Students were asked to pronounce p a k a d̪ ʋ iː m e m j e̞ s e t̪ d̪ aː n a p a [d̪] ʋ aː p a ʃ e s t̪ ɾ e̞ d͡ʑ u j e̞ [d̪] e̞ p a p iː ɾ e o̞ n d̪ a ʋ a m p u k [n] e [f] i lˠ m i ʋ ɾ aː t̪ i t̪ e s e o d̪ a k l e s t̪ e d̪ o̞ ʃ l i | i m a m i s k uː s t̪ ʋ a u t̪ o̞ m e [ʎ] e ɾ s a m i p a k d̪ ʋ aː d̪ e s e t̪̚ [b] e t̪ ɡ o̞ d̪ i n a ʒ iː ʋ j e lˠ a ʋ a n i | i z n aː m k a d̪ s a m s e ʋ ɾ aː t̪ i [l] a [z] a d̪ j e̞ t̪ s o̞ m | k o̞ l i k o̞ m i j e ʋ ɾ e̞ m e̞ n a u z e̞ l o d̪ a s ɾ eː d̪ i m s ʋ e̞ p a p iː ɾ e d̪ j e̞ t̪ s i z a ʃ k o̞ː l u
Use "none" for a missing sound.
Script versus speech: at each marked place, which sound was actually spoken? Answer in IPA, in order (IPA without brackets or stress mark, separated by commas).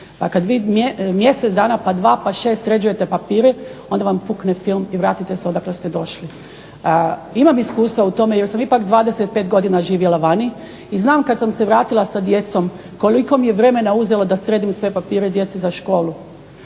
d̪, t̪, n, f, j, p, l, s